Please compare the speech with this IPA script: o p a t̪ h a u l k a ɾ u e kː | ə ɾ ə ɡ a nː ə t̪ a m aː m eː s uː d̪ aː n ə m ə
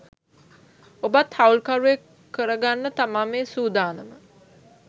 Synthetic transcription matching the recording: o b a t̪ h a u l k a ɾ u e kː | ə ɾ ə ɡ a nː ə t̪ a m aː m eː s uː d̪ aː n ə m ə